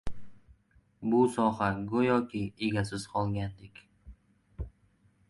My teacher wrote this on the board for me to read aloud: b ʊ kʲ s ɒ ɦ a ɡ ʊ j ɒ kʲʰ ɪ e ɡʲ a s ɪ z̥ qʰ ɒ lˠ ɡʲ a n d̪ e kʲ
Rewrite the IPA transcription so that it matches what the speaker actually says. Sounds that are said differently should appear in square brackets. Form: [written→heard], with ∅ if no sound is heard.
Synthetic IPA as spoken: b ʊ [kʲ→∅] s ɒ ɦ a ɡ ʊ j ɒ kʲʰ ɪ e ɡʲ a s ɪ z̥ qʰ ɒ lˠ ɡʲ a n d̪ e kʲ

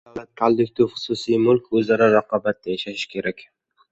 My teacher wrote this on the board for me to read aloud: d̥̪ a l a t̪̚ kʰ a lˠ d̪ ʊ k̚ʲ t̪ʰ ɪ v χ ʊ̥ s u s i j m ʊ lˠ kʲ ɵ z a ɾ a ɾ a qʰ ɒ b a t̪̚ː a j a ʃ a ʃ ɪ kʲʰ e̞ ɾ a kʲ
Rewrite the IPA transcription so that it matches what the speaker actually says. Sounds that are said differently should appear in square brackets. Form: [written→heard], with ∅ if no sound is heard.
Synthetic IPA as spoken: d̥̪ a l a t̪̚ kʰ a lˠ d̪ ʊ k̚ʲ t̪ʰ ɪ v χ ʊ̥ s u s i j m ʊ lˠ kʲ ɵ z a ɾ a ɾ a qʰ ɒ b a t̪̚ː a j a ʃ a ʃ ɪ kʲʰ e̞ ɾ a kʲ

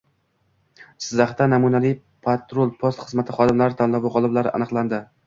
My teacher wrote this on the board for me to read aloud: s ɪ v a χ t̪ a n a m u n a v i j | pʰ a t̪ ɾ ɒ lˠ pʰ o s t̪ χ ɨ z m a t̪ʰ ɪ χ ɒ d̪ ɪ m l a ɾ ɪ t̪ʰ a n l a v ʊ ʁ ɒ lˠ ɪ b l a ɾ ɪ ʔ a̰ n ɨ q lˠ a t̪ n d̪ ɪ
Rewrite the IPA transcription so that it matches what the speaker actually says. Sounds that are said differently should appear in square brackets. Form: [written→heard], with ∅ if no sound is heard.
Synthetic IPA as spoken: s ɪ [v→z] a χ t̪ a n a m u n a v i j | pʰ a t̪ ɾ [ɒ→o] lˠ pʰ o s t̪ χ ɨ z m a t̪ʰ ɪ χ ɒ d̪ ɪ m l a ɾ ɪ t̪ʰ a n l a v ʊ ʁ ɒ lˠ ɪ b l a ɾ ɪ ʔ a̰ n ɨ q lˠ a [t̪→∅] n d̪ ɪ

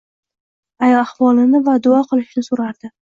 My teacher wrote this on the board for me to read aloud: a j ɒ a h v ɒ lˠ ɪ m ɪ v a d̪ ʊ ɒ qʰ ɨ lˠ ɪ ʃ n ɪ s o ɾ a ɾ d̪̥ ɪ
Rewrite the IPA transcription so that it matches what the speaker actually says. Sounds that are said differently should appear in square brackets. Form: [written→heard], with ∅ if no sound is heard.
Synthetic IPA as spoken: a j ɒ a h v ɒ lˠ ɪ [m→n] ɪ v a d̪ ʊ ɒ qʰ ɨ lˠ ɪ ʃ n ɪ s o ɾ a ɾ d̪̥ ɪ

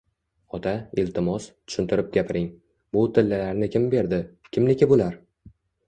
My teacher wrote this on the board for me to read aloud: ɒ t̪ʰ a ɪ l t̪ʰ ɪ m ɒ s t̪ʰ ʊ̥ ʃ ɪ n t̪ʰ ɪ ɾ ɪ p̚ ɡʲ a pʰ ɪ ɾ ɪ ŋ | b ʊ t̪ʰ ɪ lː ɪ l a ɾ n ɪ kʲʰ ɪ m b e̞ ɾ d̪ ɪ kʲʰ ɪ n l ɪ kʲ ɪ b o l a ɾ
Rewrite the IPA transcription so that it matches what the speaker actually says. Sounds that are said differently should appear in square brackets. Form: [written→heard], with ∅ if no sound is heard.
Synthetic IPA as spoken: ɒ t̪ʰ a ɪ l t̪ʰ ɪ m ɒ s t̪ʰ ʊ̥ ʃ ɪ n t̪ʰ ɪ ɾ ɪ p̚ ɡʲ a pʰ ɪ ɾ ɪ ŋ | b ʊ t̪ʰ ɪ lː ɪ l a ɾ n ɪ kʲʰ ɪ m b e̞ ɾ d̪ ɪ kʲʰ ɪ [n→m] l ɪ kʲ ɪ b o l a ɾ

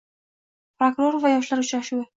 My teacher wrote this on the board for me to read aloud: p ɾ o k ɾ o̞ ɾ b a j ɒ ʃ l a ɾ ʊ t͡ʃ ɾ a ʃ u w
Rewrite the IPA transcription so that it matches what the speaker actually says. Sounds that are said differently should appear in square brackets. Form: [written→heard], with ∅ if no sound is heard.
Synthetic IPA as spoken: p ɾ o k ɾ o̞ ɾ [b→v] a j ɒ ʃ l a ɾ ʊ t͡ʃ ɾ a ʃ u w

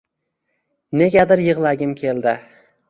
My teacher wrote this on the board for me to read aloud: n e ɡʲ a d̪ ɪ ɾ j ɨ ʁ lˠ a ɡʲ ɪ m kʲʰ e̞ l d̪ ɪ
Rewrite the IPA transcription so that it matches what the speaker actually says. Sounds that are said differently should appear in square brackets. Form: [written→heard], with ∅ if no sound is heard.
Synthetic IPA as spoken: n e ɡʲ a d̪ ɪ ɾ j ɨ ʁ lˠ a ɡʲ ɪ m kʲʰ e̞ l d̪ ɪ

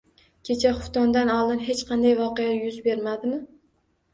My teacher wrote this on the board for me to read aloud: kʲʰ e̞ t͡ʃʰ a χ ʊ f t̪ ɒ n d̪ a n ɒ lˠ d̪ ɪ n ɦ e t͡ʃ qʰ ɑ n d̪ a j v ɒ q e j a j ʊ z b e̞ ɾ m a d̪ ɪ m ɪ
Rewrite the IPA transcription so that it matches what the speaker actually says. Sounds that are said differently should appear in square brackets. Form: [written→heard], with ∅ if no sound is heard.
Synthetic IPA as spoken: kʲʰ e̞ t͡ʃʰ a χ ʊ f t̪ ɒ n d̪ a n ɒ lˠ d̪ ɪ n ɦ e t͡ʃ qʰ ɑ n d̪ a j v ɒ q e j a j ʊ z b e̞ ɾ m a d̪ ɪ m ɪ

